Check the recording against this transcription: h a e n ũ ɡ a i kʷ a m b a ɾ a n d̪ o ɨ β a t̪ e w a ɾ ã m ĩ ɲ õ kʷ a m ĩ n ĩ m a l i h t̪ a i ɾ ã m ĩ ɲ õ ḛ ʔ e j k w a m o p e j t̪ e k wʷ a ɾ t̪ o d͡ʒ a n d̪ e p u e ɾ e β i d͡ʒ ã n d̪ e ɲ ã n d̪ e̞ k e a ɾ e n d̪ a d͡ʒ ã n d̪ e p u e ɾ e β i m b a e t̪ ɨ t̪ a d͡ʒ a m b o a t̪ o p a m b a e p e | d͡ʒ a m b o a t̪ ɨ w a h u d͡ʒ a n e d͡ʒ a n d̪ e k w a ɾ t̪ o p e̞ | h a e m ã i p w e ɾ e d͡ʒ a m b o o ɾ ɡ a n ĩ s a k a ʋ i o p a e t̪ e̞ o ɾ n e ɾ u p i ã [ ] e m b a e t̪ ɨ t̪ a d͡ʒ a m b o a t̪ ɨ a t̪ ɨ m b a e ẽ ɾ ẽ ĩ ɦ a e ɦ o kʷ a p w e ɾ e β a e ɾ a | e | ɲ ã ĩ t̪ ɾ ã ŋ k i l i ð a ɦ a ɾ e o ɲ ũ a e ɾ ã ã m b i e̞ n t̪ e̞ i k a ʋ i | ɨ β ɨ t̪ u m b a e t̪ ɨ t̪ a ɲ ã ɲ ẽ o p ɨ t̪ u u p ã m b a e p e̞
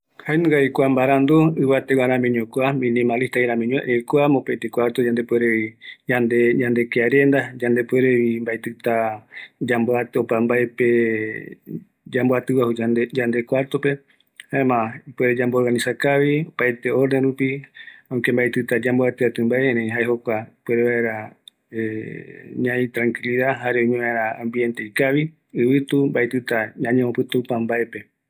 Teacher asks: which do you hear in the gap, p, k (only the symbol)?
k